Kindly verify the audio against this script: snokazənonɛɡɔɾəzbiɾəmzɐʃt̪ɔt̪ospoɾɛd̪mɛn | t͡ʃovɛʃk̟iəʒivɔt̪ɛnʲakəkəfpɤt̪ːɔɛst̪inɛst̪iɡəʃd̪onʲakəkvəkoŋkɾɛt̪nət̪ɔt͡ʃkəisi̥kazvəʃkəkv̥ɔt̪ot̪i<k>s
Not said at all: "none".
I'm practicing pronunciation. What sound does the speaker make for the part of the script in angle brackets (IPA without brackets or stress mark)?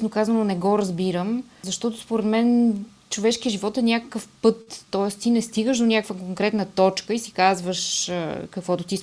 none